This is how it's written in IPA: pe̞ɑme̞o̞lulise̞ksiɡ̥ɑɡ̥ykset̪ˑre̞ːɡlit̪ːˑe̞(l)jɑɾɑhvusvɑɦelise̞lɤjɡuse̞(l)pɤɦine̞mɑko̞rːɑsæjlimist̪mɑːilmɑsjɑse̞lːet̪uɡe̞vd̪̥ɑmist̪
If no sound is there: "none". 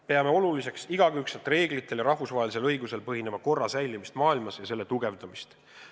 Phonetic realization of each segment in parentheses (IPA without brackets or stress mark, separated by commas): l, l